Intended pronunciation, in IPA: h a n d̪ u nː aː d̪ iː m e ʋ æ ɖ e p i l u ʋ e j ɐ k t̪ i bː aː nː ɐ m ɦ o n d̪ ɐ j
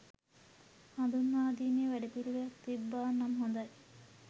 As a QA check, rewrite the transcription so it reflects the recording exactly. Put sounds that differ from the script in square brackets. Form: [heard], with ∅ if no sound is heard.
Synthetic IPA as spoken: h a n d̪ u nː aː d̪ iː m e ʋ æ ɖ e p i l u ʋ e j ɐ k t̪ i bː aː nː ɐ m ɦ o n d̪ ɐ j